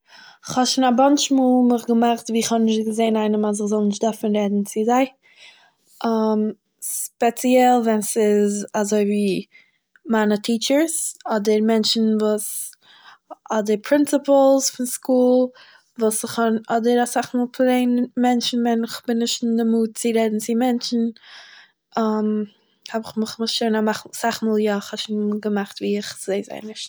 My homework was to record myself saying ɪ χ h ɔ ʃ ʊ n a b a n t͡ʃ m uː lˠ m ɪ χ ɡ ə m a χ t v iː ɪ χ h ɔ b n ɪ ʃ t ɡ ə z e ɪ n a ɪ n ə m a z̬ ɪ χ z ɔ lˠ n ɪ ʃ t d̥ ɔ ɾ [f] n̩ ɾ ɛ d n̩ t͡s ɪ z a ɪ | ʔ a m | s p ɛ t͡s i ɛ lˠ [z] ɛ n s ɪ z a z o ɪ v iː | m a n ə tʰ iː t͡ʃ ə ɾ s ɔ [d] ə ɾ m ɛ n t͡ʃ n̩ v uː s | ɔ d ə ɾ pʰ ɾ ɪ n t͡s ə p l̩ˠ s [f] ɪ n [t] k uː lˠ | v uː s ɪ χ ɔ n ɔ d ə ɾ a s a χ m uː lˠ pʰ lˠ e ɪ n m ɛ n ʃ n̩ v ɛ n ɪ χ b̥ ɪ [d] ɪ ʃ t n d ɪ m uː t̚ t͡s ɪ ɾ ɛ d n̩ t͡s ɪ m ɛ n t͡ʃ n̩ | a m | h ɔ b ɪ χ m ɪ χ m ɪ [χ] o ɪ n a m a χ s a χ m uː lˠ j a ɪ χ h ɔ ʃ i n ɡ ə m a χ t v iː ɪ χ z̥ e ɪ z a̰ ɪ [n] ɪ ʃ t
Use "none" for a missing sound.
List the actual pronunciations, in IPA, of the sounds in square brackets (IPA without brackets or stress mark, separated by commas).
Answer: f, v, d, f, s, n, ʃ, n